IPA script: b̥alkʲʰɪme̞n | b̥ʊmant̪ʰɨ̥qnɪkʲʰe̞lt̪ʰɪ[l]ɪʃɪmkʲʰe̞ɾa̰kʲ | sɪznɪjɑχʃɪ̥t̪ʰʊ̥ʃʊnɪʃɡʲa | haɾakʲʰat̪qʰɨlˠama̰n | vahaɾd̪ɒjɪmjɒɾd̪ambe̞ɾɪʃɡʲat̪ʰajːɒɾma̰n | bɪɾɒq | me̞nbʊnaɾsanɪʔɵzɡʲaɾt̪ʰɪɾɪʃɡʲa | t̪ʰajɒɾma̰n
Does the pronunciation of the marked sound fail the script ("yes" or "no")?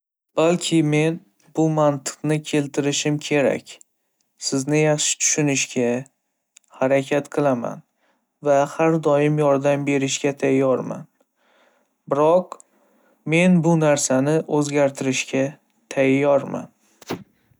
yes